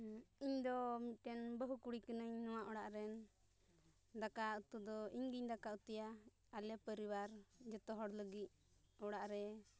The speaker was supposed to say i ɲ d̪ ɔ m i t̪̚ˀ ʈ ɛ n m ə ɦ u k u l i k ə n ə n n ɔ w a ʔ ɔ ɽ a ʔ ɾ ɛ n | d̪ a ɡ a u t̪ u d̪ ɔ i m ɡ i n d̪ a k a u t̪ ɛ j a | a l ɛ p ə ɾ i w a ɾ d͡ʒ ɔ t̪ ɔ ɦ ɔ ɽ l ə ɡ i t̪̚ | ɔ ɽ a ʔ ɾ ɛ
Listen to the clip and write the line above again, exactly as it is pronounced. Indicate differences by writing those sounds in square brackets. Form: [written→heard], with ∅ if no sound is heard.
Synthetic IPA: i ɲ d̪ ɔ m i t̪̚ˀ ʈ ɛ n [m→b] ə ɦ u k u [l→ɽ] i k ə n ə [n→ɲ] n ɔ w a ʔ ɔ ɽ a ʔ ɾ ɛ n | d̪ a [ɡ→k] a u t̪ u d̪ ɔ i [m→ɲ] ɡ i [n→ɲ] d̪ a k a u t̪ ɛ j a | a l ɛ p ə ɾ i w a ɾ d͡ʒ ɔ t̪ ɔ ɦ ɔ ɽ l ə ɡ i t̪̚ | ɔ ɽ a ʔ ɾ ɛ